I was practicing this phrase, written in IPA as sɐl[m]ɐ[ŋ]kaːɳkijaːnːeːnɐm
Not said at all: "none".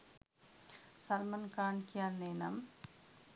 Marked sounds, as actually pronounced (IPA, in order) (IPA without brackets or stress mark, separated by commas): m, n